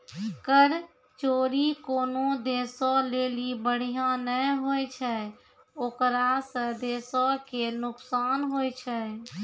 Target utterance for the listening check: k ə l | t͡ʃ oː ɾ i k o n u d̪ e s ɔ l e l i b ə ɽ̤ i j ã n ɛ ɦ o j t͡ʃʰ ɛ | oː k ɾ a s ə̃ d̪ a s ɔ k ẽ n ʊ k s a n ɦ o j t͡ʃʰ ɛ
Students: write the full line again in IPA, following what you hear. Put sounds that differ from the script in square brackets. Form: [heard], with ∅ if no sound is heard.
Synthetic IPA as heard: k ə [ɾ] | t͡ʃ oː ɾ i k o n [o] d̪ e s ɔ l e l i b ə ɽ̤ i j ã n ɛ ɦ o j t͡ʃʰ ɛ | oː k ɾ a s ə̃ d̪ [e] s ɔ k [e] n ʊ k s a n ɦ o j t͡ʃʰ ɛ